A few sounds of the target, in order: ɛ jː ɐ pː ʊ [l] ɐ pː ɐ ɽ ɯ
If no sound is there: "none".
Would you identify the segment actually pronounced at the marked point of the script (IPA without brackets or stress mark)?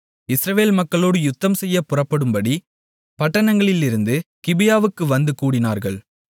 r